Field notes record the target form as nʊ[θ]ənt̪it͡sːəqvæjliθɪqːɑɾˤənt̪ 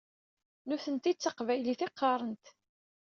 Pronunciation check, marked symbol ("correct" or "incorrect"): correct